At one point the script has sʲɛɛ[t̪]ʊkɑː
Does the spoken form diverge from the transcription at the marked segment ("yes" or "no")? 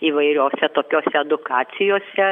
yes